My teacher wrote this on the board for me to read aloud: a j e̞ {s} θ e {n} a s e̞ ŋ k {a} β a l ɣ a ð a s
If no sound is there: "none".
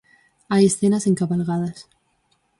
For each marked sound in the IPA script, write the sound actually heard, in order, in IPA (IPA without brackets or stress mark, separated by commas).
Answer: s, n, a